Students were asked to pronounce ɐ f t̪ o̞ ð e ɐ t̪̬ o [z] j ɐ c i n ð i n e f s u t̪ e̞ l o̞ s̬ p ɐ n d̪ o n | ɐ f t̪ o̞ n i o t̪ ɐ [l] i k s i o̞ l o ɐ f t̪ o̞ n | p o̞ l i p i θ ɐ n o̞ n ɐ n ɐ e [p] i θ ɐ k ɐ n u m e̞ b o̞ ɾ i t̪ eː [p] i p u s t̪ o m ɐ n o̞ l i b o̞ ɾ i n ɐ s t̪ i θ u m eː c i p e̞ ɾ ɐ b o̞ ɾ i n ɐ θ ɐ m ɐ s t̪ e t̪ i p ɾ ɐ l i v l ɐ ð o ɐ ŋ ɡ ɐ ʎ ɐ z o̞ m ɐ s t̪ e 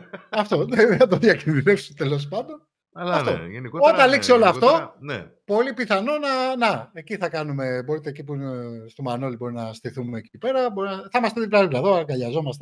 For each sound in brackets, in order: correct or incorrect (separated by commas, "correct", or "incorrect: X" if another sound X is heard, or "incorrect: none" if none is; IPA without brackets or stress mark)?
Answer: incorrect: ð, correct, incorrect: c, incorrect: c